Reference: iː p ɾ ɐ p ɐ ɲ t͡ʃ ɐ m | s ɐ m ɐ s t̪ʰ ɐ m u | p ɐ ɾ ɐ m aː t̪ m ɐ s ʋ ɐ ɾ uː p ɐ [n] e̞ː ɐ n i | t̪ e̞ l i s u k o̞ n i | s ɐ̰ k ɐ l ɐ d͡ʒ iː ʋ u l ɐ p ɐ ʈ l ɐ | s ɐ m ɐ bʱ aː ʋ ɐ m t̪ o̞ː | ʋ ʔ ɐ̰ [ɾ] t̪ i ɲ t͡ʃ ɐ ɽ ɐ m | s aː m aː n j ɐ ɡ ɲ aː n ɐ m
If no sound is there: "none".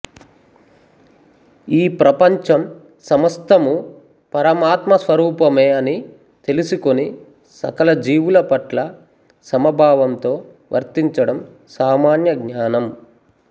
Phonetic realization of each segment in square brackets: m, ɾ

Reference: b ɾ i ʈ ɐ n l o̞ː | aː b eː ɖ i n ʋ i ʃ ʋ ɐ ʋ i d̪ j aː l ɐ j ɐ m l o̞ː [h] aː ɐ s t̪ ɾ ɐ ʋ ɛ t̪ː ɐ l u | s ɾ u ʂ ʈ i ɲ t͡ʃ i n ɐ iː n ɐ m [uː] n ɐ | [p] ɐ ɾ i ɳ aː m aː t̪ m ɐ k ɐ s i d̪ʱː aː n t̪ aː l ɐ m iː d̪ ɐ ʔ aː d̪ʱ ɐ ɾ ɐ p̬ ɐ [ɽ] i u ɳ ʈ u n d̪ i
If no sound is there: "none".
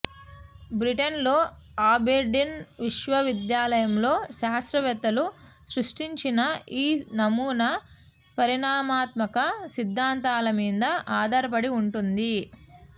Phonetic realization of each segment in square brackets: ʃ, uː, p, ɽ

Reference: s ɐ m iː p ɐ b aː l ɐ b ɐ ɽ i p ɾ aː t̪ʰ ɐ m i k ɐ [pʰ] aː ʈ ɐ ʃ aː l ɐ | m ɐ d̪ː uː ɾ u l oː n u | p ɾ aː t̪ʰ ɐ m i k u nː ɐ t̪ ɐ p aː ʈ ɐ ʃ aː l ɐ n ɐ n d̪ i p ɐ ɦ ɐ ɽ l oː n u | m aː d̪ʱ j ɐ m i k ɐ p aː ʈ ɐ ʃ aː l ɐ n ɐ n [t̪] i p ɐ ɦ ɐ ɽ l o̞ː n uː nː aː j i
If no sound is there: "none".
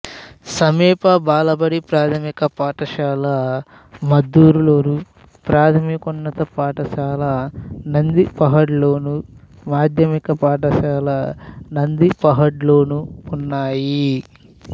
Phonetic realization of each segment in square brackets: p, d̪

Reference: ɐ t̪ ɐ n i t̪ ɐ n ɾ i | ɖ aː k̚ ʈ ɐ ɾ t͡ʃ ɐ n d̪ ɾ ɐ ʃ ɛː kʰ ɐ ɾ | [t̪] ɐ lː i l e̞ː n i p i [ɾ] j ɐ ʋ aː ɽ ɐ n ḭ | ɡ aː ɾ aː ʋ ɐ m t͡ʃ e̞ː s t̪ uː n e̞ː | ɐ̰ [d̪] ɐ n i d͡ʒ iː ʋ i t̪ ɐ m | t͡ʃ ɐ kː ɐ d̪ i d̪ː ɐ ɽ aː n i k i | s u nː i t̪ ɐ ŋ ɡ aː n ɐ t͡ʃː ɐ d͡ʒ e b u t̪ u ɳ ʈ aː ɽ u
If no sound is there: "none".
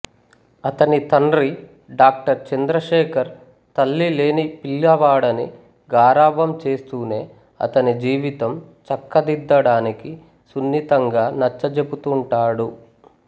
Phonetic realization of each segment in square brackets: t̪, l, t̪

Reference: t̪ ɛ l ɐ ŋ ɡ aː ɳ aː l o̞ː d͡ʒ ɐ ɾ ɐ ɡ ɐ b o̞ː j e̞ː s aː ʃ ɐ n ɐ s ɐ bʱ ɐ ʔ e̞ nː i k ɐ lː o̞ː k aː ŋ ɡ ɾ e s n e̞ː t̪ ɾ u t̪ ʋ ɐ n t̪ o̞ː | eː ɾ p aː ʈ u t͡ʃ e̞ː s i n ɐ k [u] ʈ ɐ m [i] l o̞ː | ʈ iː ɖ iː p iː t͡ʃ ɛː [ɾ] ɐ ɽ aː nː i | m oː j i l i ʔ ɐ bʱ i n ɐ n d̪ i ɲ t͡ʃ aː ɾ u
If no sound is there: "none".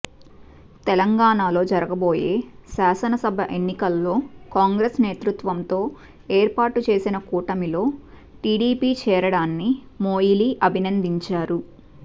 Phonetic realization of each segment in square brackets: uː, i, ɾ

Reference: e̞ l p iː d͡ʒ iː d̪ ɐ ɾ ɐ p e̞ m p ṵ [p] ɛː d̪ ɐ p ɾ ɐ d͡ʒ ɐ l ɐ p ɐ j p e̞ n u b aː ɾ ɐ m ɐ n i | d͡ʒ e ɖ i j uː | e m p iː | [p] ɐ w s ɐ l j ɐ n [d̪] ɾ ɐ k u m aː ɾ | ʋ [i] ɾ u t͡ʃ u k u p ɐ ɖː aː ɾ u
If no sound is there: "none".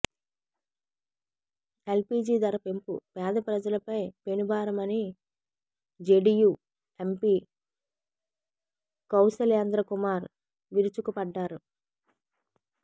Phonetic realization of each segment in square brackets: p, k, d̪, i

